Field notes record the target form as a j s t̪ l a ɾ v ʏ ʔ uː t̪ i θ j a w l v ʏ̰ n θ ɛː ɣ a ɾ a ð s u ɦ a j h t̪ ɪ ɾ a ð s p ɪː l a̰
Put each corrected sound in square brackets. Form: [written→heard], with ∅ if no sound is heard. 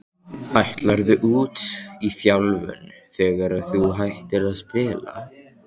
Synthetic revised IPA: a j [s→h] t̪ l a ɾ [v→ð] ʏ ʔ uː t̪ i θ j a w l v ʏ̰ n θ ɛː ɣ a ɾ a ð [s→θ] u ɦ a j h t̪ ɪ ɾ a ð s p ɪː l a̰